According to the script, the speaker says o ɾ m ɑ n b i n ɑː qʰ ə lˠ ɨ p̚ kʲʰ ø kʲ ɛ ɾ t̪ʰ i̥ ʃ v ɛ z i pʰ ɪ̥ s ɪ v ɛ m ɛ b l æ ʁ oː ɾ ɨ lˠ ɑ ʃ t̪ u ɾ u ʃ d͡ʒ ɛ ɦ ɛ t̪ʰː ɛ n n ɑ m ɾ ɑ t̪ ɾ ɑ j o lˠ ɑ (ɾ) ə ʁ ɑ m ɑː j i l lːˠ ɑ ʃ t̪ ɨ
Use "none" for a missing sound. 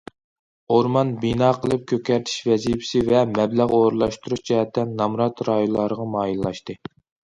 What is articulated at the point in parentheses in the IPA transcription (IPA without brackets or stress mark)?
ɾ